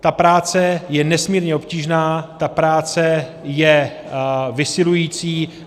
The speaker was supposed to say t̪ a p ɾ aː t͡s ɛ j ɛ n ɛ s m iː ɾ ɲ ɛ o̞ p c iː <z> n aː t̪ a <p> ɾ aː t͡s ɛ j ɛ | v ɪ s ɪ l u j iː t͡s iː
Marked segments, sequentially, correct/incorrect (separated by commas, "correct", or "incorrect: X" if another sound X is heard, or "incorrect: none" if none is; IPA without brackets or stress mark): incorrect: ʒ, correct